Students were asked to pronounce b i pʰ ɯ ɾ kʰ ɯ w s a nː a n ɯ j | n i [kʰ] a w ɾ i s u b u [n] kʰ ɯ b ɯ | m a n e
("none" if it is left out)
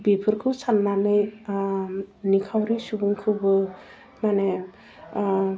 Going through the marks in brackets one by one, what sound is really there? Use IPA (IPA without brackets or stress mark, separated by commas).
kʰ, ŋ